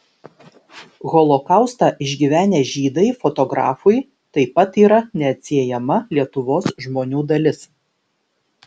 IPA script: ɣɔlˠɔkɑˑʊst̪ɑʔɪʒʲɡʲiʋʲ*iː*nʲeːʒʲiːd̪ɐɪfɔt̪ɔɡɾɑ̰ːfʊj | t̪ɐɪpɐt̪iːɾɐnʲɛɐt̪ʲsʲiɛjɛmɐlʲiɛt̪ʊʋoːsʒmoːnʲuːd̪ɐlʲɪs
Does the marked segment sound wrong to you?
yes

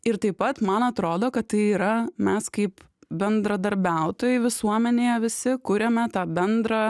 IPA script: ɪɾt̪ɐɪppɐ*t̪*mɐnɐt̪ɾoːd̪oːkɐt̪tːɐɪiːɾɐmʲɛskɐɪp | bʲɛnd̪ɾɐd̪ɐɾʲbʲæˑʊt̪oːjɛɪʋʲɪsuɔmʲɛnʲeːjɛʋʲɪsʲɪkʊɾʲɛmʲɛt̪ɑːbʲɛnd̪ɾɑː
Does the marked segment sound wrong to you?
no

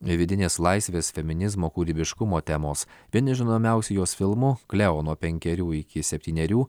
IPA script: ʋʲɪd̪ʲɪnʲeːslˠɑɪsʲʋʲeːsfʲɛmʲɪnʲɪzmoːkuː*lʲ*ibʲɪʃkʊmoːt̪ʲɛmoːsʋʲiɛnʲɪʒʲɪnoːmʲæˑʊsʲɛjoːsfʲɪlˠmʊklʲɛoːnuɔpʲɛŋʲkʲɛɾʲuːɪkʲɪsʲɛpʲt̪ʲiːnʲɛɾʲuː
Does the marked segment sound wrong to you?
yes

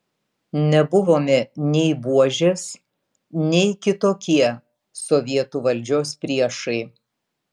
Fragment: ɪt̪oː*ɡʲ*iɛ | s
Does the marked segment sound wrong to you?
yes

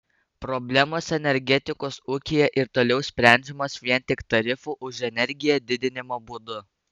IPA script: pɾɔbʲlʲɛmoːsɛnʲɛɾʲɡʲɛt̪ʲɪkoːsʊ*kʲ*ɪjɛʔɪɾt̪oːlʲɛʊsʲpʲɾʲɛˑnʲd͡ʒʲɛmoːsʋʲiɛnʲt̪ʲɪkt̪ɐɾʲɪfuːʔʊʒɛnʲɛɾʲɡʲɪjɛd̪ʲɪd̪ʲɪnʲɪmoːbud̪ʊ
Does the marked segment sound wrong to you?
no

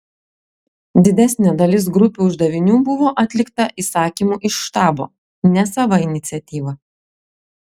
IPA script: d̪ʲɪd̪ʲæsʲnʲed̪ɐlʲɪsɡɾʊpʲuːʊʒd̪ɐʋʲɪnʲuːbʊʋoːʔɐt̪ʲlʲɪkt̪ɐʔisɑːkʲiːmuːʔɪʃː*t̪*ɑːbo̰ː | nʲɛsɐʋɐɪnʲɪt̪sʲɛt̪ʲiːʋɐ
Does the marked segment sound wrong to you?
no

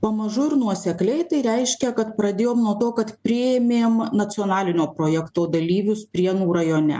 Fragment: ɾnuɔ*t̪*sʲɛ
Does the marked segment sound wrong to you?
yes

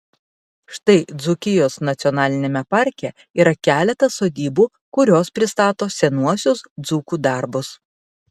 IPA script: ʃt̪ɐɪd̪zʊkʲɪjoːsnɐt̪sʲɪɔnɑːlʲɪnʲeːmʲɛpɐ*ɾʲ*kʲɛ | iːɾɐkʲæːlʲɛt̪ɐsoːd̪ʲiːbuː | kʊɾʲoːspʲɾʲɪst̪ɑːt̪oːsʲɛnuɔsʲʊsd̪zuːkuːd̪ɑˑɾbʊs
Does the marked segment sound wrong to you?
no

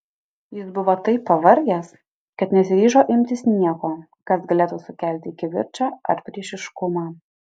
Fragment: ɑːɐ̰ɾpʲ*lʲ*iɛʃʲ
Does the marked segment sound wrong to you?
yes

